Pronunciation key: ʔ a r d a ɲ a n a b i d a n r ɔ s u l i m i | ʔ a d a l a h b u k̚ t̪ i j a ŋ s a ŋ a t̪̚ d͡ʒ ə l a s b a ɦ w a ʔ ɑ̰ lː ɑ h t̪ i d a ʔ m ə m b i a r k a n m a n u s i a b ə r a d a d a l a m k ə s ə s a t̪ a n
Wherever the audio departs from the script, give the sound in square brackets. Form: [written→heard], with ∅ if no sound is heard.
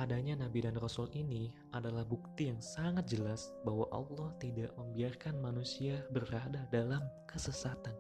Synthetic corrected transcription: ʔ a [r→∅] d a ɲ a n a b i d a n r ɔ s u l i [m→n] i | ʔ a d a l a h b u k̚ t̪ i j a ŋ s a ŋ a t̪̚ d͡ʒ ə l a s b a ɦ w a ʔ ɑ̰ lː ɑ h t̪ i d a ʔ m ə m b i a r k a n m a n u s i a b ə r a d a d a l a m k ə s ə s a t̪ a n